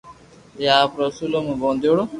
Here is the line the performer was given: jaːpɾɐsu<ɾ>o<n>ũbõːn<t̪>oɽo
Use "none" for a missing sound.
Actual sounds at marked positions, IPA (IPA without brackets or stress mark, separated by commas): l, m, d̪